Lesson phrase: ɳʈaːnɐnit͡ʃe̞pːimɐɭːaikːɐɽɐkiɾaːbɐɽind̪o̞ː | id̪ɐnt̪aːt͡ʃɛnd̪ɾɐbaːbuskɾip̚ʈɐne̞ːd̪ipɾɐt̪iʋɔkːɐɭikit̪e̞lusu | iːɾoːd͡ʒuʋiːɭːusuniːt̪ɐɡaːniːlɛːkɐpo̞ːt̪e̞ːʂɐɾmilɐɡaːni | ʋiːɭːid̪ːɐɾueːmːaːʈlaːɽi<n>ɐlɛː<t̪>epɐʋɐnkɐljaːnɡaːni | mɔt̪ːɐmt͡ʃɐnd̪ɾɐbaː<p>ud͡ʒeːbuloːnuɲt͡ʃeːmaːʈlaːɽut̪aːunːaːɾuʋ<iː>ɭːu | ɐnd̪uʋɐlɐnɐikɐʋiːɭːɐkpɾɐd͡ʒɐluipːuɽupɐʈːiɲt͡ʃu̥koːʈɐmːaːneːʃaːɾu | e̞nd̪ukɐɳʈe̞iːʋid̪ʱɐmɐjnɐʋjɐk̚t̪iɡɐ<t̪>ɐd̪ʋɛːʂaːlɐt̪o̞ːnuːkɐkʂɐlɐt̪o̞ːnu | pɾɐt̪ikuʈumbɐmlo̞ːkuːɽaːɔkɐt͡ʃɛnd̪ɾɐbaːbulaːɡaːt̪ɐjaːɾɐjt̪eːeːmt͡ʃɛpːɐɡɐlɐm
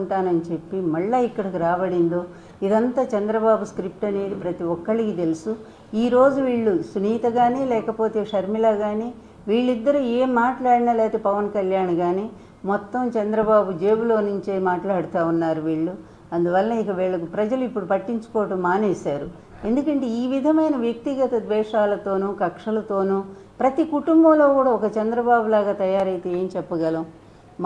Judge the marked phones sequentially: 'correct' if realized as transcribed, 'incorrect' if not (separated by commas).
correct, correct, incorrect, correct, correct